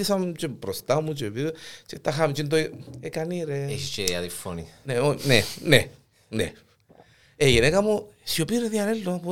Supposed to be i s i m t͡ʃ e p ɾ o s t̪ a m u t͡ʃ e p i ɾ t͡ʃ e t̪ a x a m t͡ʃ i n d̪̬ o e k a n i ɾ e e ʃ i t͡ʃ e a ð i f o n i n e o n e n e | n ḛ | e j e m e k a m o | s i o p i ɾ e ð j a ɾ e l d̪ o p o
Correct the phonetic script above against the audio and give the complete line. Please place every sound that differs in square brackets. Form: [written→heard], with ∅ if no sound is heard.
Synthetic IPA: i s [i→a] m t͡ʃ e p ɾ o s t̪ a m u t͡ʃ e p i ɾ t͡ʃ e t̪ a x a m t͡ʃ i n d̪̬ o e k a n i ɾ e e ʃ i t͡ʃ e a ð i f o n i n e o n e n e | n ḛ | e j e [m→n] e k a m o | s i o p i ɾ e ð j a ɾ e l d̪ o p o